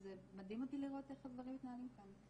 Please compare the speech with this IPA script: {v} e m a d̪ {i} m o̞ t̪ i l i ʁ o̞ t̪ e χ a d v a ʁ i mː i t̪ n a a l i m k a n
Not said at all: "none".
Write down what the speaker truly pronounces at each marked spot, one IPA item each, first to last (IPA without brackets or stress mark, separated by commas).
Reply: z, i